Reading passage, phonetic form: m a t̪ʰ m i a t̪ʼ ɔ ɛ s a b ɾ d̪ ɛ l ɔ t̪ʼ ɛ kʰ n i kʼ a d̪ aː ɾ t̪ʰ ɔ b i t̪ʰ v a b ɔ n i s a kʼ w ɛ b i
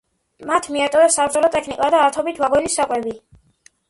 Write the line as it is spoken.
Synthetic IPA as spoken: m a t̪ʰ m i a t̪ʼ ɔ ɛ s a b ɾ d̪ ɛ l ɔ t̪ʼ ɛ kʰ n i kʼ a d̪ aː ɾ t̪ʰ ɔ b i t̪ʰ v a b ɔ n i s a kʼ w ɛ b i